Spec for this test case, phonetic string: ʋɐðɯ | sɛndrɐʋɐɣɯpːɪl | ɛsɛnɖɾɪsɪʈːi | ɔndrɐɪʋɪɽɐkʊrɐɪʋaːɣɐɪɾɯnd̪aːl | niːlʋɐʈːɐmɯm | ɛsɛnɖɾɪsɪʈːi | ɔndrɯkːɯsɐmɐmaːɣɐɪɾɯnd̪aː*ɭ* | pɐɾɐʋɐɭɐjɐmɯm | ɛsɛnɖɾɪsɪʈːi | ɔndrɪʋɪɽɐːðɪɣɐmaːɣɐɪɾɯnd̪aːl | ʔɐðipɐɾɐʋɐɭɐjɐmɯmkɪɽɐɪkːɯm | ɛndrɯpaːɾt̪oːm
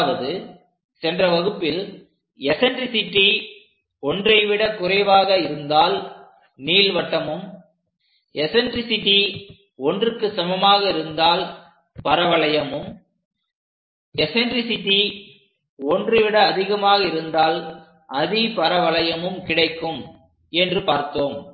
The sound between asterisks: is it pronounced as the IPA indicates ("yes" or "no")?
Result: no